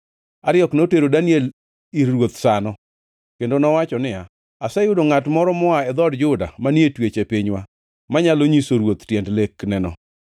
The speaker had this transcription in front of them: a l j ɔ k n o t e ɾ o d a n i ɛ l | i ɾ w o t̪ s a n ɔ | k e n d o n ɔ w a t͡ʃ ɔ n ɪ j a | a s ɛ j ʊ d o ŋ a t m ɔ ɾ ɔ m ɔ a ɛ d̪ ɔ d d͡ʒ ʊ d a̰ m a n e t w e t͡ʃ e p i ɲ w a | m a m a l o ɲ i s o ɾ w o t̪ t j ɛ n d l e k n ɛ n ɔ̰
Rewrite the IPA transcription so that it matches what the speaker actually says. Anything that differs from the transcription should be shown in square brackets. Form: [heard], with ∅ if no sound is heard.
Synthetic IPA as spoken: a [ɾ] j ɔ k n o t e ɾ o d a n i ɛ l | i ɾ w o t̪ s a n ɔ | k e n d o n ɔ w a t͡ʃ ɔ n ɪ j a | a s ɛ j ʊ d o ŋ a t m ɔ ɾ ɔ m ɔ a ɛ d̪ ɔ d d͡ʒ ʊ d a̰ m a n e t w e t͡ʃ e p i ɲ w a | m a [ɲ] a l o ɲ i s o ɾ w o t̪ t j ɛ n d l e k n ɛ n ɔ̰